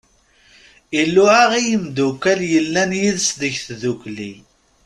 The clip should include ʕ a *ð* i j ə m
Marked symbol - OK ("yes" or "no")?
no